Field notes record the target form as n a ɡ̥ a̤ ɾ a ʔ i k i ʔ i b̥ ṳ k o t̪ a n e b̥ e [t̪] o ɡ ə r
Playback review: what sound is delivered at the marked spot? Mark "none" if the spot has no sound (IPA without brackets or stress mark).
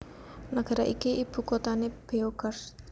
none